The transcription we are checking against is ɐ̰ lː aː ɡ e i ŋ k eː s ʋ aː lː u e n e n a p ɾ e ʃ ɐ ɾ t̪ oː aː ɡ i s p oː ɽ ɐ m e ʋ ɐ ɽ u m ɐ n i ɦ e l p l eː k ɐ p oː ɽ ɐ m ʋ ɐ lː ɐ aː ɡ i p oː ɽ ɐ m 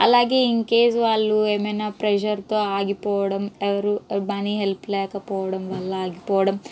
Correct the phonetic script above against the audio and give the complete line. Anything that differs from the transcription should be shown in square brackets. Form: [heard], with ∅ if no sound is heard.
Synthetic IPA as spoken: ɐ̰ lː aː ɡ e i ŋ k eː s ʋ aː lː u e [m] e n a p ɾ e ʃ ɐ ɾ t̪ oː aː ɡ i [∅] p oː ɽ ɐ m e ʋ ɐ [ɾ] u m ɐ n i ɦ e l p l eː k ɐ p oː ɽ ɐ m ʋ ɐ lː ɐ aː ɡ i p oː ɽ ɐ m